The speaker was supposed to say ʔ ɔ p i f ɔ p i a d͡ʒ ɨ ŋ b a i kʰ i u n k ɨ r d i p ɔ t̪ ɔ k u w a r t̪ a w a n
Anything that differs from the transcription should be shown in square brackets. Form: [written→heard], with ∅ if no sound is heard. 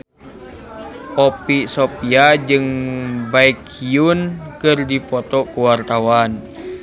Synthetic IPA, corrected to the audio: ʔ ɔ p i [f→s] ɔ p i a d͡ʒ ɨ ŋ b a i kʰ i u n k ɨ r d i p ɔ t̪ ɔ k u w a r t̪ a w a n